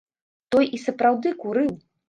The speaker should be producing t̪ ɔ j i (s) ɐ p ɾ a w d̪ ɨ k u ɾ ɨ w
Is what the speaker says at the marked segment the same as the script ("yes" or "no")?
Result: yes